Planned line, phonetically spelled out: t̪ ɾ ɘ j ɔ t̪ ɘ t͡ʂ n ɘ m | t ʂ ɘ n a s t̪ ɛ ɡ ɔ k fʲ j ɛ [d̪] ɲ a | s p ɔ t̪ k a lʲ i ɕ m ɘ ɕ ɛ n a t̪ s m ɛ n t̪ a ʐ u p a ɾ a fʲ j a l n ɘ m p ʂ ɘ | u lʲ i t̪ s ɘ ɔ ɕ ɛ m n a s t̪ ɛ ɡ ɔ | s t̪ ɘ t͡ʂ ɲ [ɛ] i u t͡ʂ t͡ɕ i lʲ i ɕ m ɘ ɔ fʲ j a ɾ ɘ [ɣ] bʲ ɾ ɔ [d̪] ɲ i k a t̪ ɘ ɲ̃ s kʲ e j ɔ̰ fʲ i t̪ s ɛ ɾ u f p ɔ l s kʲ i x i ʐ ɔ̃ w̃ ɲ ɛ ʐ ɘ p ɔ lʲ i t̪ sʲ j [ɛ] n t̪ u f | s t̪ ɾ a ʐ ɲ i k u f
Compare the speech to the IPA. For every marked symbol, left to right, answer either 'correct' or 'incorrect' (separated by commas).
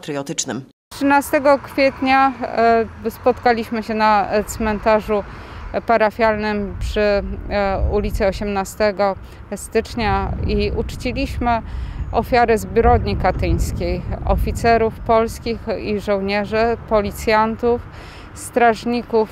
incorrect, incorrect, incorrect, correct, incorrect